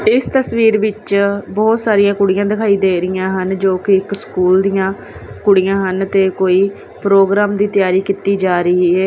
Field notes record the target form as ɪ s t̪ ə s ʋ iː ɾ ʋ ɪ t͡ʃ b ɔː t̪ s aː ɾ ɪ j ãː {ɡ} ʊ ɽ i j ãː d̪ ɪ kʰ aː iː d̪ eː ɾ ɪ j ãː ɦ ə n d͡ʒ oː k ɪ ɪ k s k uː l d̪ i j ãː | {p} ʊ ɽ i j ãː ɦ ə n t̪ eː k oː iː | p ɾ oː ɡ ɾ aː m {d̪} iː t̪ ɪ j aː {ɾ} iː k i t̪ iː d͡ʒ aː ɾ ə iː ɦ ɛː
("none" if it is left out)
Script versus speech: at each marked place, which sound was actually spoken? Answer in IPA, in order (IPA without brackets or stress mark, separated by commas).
k, k, d̪, ɾ